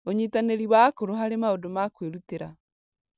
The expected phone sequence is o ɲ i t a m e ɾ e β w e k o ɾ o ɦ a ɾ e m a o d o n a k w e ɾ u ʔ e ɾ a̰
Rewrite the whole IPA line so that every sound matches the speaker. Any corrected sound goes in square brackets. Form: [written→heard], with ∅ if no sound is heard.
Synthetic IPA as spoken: o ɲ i t a [m→n] e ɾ [e→i] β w [e→a] k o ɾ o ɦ a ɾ e m a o d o [n→m] a k w e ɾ u [ʔ→t] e ɾ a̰

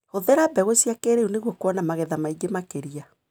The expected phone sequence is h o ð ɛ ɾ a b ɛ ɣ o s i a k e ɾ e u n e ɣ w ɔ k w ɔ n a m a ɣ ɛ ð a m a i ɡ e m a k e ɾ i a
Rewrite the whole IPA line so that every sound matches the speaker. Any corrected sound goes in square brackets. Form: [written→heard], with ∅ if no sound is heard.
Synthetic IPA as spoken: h o ð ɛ ɾ a b ɛ ɣ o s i a k e ɾ e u n e ɣ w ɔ k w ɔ n a m a ɣ ɛ ð a m a i ɡ e m a k e ɾ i a

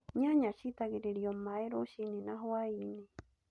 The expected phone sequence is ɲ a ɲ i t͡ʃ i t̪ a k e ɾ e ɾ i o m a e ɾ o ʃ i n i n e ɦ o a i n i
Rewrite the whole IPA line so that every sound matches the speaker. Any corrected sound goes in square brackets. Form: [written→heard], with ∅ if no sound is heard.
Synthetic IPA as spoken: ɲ a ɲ [i→a] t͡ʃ i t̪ a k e ɾ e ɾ i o m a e ɾ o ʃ i n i n [e→a] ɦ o a i n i

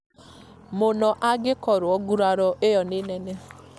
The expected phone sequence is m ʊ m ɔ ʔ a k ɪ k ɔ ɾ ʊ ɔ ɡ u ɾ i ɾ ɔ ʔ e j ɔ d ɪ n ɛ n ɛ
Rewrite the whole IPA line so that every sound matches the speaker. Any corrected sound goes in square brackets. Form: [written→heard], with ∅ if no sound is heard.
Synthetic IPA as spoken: m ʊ [m→n] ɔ ʔ a [k→ɡ] ɪ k ɔ ɾ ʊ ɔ ɡ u ɾ [i→a] ɾ ɔ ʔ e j ɔ [d→n] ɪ n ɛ n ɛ

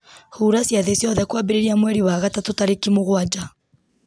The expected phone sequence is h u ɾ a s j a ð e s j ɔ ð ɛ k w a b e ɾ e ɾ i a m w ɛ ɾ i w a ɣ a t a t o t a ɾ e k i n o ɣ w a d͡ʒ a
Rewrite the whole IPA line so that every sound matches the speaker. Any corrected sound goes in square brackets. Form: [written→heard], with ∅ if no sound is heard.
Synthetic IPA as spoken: h u ɾ a s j a ð e s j ɔ ð ɛ k w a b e ɾ e ɾ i a m w ɛ ɾ i w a ɣ a t a t o t a ɾ e k i [n→m] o ɣ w a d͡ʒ a

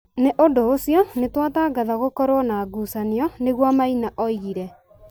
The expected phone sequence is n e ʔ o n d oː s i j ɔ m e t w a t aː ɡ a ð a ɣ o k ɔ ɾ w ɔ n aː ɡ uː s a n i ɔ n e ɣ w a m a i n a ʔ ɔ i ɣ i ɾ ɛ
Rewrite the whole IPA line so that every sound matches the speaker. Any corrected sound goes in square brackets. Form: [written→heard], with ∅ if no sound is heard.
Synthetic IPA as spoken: n e ʔ o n d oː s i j ɔ [m→n] e t w a t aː ɡ a ð a ɣ o k ɔ ɾ w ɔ n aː ɡ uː s a n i ɔ n e ɣ w a m a i n a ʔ ɔ i ɣ i ɾ ɛ

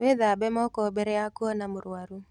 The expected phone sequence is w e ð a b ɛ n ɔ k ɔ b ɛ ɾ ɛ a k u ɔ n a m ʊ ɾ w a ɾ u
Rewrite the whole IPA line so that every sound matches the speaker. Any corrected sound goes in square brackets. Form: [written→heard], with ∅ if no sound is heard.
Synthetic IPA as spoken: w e ð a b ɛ [n→m] ɔ k ɔ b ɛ ɾ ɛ a k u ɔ n a m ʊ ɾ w a ɾ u

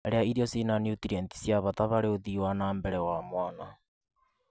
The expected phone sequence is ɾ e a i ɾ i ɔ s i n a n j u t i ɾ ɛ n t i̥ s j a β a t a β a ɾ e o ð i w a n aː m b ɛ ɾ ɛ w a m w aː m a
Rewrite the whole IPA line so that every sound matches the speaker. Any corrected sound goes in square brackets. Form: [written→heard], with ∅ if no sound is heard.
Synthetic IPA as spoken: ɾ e a i ɾ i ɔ s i n a n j u t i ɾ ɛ n t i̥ s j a β a t a β a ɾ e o ð i w a n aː m b ɛ ɾ ɛ w a m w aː [m→n] a

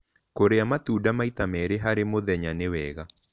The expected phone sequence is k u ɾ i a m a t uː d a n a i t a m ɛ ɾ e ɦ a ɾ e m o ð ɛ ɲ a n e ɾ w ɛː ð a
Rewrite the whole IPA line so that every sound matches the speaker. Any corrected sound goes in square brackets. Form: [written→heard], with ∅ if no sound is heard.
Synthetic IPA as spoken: k [u→o] ɾ [i→e] a m a t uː d a [n→m] a i t a m ɛ ɾ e ɦ a ɾ e m o ð ɛ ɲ a n e [ɾ→∅] w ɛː [ð→ɣ] a

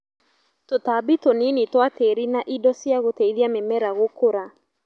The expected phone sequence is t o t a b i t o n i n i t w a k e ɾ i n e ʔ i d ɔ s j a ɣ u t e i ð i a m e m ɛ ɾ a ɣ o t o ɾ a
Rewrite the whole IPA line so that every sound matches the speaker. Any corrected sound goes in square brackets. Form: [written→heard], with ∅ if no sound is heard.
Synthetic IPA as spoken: t o t a b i t o n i n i t w a [k→t] e ɾ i n [e→a] ʔ i d ɔ s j a ɣ [u→o] t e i ð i a m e m ɛ ɾ a ɣ o [t→k] o ɾ a

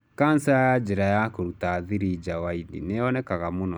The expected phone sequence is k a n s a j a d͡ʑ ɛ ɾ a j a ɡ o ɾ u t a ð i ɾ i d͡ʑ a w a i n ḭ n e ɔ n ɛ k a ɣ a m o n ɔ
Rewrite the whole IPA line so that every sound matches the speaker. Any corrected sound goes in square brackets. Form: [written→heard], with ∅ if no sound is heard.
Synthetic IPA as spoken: k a n s a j a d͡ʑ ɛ ɾ a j a [ɡ→k] o ɾ u t a ð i ɾ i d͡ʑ a w a i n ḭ n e ɔ n ɛ k a ɣ a m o n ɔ

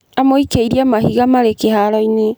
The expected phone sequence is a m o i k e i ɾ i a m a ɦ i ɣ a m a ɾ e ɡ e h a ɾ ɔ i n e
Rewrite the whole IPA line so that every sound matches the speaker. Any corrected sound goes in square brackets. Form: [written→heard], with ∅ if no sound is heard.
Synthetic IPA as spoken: a m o i k e i ɾ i a m a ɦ i ɣ a m a ɾ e [ɡ→k] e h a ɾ ɔ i n e

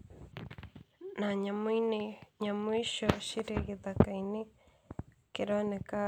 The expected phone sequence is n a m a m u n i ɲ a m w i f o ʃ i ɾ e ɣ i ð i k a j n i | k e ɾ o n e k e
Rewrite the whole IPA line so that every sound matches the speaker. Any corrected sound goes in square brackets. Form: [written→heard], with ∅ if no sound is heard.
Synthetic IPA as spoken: n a [m→ɲ] a m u n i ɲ a m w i [f→ʃ] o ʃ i ɾ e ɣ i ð [i→a] k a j n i | k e ɾ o n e k [e→a]

